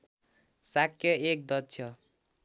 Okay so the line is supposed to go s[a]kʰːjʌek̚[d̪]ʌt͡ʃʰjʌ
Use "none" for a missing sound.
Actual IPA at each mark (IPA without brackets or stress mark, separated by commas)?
a, d̪